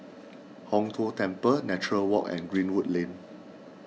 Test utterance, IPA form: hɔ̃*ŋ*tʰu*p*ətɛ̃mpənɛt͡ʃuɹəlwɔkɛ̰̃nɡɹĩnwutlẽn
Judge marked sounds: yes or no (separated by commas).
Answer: yes, no